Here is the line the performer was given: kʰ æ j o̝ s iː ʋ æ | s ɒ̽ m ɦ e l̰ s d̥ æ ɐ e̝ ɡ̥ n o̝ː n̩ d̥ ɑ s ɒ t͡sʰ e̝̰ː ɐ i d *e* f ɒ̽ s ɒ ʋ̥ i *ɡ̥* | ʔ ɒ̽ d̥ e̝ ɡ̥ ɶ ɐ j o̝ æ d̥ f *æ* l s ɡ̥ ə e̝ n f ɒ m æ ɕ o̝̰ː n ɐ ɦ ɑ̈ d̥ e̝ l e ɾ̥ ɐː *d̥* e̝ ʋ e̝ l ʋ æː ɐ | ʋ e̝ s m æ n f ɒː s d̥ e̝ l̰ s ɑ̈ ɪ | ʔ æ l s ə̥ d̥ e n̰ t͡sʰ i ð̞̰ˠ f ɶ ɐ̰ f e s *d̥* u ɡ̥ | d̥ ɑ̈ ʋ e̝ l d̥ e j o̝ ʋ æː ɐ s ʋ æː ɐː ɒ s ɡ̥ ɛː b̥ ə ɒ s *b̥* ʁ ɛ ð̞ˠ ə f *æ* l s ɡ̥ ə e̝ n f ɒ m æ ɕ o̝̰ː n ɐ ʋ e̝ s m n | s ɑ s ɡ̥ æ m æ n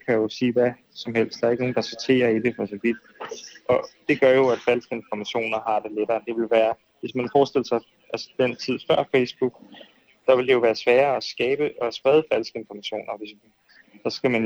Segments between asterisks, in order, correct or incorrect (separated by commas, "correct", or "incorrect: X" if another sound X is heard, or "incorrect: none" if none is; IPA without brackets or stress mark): correct, incorrect: d̥, correct, correct, incorrect: b̥, correct, correct